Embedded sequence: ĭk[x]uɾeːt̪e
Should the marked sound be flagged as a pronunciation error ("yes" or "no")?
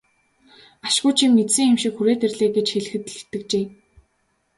no